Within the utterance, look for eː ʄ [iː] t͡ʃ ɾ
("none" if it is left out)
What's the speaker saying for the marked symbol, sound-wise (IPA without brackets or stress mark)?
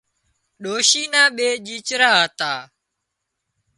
iː